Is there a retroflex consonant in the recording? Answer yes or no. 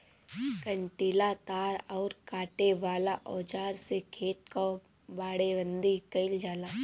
yes